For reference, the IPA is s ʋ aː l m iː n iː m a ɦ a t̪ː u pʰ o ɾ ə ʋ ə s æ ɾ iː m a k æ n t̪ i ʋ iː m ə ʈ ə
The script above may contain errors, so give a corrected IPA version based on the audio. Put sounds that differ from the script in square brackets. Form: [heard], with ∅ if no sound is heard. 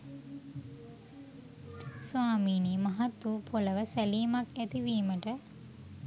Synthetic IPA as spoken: s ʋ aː [∅] m iː n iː m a ɦ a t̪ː u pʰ o [l] ə ʋ ə s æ [l] iː m a k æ [∅] t̪ i ʋ iː m ə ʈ ə